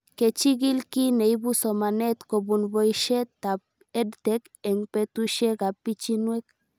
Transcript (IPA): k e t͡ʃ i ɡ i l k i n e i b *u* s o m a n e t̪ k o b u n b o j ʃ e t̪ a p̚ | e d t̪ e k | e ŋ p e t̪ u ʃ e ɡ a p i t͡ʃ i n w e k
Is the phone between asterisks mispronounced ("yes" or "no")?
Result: no